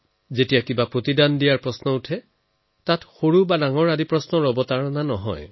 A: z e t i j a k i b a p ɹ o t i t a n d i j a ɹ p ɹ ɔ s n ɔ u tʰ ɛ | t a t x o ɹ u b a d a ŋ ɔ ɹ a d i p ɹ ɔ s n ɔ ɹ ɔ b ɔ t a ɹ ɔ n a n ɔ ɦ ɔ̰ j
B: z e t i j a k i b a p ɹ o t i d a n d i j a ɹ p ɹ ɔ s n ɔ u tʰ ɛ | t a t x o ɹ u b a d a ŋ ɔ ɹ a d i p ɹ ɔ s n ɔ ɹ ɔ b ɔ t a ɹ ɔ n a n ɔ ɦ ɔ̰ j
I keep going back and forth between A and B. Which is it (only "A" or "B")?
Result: B